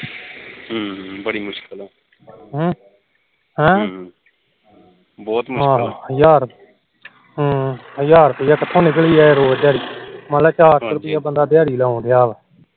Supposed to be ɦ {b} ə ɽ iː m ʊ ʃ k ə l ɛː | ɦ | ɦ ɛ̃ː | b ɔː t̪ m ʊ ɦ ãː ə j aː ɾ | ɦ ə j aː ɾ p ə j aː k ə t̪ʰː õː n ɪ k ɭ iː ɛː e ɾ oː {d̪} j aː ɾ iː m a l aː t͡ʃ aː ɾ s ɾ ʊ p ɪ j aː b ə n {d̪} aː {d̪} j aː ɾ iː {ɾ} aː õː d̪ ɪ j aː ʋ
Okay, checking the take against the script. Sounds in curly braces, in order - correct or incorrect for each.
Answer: correct, correct, correct, correct, incorrect: l

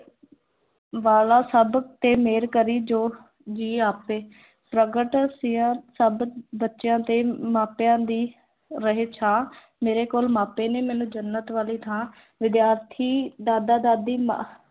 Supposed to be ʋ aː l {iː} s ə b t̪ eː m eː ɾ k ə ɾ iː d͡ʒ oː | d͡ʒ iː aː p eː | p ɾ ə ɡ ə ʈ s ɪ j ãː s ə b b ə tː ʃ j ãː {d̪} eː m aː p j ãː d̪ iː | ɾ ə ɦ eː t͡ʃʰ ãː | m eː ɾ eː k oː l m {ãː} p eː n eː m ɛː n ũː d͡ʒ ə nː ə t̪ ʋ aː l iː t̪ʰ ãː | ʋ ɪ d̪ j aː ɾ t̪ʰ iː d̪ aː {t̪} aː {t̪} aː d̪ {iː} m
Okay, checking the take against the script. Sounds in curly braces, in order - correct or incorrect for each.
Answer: incorrect: aː, incorrect: t̪, incorrect: aː, incorrect: d̪, incorrect: d̪, correct

